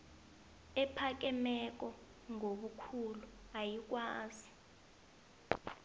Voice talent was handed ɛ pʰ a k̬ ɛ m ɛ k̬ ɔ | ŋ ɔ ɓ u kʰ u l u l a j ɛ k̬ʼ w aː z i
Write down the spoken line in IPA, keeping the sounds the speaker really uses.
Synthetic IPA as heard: ɛ pʰ a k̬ ɛ m ɛ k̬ ɔ | ŋ o ɓ u kʰ u l u a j i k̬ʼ w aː z i